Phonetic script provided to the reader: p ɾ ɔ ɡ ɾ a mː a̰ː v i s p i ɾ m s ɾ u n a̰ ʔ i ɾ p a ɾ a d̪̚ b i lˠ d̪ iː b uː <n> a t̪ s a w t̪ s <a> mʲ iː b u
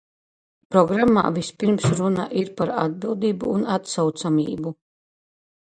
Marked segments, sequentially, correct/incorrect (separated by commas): correct, correct